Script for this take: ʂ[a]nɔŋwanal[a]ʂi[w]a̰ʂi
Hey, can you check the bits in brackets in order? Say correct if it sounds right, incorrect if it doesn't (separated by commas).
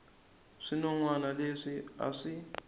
incorrect, incorrect, incorrect